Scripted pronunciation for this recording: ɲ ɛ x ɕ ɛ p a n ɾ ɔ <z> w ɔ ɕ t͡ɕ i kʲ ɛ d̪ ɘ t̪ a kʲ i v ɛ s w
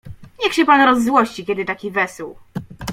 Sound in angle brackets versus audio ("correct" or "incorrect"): incorrect